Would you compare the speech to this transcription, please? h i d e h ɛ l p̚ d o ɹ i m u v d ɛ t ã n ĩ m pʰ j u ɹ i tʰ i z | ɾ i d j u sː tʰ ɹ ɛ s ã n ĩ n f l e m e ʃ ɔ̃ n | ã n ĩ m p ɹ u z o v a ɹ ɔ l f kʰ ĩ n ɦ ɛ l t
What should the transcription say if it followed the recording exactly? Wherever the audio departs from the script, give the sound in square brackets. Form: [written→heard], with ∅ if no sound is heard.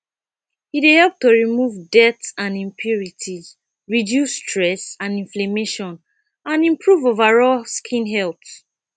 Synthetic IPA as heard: h i d e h ɛ l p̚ [d→t] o ɹ i m u v d ɛ t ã n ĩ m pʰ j u ɹ i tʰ i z | [ɾ→ɹ] i d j u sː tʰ ɹ ɛ s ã n ĩ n f l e m e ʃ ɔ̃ n | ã n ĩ m p ɹ u [z→v] o v a ɹ ɔ l [f→s] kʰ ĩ n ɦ ɛ l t